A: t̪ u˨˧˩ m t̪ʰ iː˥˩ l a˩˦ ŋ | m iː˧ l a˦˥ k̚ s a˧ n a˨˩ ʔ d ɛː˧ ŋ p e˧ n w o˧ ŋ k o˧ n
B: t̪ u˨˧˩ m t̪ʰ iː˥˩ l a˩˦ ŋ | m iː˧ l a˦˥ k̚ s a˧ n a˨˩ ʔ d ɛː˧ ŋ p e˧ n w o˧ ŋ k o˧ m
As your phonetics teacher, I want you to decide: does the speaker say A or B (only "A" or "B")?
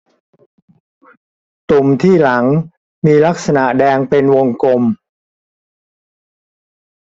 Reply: B